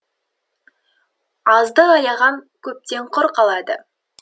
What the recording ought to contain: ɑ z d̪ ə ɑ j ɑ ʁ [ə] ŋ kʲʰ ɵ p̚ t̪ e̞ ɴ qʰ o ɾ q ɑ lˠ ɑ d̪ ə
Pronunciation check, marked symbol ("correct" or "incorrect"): incorrect